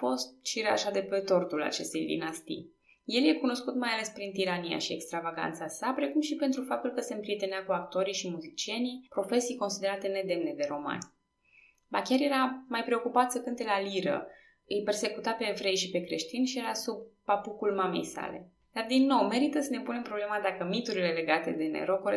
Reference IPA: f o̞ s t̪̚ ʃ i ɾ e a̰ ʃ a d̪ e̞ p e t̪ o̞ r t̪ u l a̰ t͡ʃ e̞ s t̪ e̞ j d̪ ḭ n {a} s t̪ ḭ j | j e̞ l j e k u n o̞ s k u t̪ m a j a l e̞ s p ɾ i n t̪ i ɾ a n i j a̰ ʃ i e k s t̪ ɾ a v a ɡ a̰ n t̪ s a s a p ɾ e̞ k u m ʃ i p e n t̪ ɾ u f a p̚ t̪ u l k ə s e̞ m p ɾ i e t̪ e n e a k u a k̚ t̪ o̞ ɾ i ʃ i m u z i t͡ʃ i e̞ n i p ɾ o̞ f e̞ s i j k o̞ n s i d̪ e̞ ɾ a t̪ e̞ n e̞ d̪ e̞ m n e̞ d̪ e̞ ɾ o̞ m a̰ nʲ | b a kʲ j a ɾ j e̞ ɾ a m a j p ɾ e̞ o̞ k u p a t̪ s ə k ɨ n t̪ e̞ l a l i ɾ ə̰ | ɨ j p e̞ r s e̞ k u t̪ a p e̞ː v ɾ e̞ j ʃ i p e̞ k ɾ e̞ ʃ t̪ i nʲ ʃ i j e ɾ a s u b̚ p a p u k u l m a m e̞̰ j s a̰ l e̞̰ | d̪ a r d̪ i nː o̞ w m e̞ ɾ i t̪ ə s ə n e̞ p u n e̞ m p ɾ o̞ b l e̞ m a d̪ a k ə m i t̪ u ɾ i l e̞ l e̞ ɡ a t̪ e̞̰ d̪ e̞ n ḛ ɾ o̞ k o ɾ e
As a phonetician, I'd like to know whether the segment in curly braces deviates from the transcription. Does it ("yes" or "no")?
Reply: no